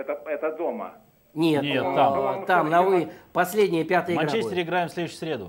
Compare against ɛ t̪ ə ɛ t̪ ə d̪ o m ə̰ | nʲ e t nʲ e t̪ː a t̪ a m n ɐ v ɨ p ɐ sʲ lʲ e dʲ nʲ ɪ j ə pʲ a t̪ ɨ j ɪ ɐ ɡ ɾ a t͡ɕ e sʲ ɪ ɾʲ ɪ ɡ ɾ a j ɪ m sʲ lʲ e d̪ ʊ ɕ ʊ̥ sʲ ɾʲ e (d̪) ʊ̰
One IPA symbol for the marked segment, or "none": d̪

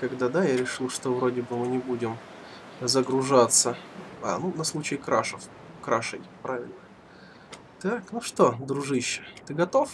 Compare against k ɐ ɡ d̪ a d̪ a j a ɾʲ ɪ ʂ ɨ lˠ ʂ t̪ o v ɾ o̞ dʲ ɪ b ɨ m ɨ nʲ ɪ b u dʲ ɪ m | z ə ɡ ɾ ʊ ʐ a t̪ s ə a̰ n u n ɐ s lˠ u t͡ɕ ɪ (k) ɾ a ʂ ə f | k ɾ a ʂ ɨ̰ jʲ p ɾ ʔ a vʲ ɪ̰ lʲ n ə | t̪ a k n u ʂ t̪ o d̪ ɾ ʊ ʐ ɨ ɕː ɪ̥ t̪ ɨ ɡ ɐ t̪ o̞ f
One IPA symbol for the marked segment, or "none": k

